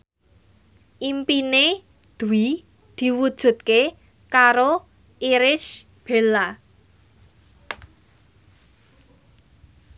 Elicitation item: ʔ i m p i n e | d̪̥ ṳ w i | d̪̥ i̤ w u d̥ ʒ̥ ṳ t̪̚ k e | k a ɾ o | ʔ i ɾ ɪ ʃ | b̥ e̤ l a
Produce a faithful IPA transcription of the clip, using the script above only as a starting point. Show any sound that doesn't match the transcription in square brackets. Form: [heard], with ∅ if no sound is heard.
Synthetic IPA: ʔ i m p i n e | d̪̥ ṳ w i | d̪̥ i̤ w u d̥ ʒ̥ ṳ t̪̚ k e | k a ɾ o | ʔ i ɾ ɪ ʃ | b̥ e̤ l a

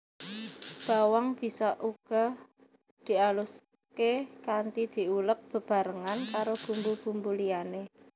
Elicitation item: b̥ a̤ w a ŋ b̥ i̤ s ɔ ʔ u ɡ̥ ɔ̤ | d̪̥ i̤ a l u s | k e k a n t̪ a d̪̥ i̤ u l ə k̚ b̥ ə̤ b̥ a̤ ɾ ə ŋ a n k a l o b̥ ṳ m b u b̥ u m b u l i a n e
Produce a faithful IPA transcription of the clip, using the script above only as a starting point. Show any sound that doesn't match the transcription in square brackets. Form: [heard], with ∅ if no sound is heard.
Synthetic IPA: b̥ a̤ w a ŋ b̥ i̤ s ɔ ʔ u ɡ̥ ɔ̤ | d̪̥ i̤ a l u s | k e k a n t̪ [i] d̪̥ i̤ u l ə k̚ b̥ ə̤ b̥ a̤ ɾ ə ŋ a n k a [ɾ] o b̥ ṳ m b u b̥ u m b u l i a n e

